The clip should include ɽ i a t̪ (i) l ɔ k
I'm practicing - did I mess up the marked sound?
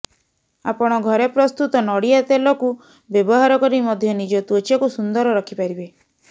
yes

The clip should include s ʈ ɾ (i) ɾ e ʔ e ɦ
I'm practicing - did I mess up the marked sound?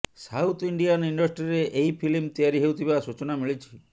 no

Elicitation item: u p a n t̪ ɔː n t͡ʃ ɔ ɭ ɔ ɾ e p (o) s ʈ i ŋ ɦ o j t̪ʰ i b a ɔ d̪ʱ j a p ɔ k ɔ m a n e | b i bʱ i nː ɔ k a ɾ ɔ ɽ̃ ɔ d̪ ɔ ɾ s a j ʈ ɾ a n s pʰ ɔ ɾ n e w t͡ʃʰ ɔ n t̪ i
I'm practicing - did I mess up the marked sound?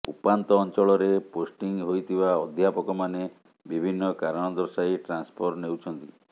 no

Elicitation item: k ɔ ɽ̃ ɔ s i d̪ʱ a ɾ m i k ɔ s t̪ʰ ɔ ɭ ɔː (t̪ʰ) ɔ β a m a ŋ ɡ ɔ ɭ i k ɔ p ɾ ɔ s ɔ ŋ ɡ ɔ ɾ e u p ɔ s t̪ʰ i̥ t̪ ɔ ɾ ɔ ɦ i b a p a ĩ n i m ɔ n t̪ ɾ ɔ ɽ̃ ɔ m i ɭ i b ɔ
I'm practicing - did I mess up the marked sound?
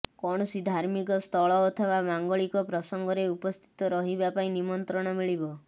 no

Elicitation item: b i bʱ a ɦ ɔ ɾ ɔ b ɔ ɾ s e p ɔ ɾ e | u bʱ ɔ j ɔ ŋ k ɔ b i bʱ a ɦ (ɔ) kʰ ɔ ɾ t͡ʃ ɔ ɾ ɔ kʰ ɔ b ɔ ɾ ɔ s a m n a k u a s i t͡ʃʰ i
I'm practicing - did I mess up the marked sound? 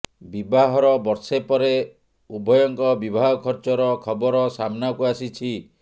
no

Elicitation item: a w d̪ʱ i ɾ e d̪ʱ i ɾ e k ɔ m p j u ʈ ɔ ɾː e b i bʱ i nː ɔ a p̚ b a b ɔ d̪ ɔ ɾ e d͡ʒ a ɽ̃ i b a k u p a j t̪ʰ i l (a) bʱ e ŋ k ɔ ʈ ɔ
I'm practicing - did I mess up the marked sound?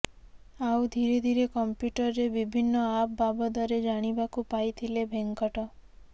yes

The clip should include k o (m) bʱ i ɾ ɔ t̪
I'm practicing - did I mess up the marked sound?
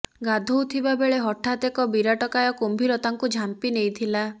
no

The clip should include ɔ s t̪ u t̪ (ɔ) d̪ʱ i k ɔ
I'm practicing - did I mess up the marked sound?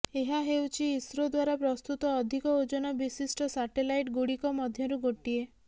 yes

